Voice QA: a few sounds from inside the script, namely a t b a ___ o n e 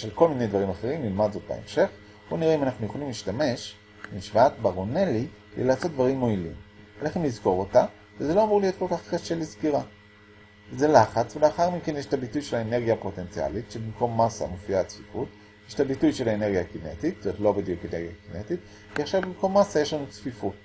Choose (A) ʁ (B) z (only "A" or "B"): A